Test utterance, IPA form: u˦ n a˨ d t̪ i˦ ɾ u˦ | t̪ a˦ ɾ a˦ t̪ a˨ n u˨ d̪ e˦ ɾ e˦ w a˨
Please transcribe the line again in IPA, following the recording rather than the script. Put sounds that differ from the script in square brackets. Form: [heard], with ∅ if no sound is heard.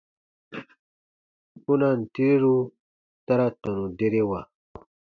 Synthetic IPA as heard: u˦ n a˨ [n] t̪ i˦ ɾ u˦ | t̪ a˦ ɾ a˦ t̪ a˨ n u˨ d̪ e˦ ɾ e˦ w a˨